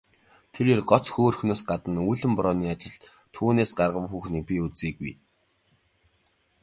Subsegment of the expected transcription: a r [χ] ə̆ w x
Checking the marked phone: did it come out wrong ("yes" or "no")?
yes